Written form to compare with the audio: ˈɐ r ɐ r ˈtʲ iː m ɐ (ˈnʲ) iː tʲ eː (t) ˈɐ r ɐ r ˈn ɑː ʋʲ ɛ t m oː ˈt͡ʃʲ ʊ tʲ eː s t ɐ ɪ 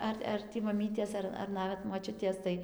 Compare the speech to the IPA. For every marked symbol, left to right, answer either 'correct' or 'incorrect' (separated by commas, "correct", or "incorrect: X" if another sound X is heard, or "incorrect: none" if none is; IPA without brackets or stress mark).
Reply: incorrect: mʲ, incorrect: s